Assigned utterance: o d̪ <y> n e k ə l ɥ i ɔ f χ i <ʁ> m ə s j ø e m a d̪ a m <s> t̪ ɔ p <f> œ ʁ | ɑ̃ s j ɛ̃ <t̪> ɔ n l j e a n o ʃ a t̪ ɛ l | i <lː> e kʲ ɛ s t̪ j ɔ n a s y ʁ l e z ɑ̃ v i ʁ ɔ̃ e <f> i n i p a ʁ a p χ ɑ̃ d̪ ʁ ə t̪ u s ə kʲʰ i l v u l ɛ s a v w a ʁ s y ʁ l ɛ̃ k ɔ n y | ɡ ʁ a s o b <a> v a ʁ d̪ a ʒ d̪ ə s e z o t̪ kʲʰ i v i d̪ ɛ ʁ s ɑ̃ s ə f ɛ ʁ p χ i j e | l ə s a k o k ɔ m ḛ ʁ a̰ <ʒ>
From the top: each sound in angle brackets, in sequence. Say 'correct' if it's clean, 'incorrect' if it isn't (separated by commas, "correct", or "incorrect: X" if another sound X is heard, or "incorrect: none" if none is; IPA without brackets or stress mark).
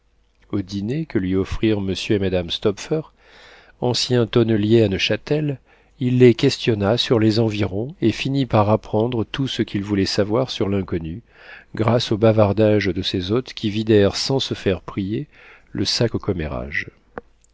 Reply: incorrect: i, correct, correct, correct, correct, correct, correct, correct, correct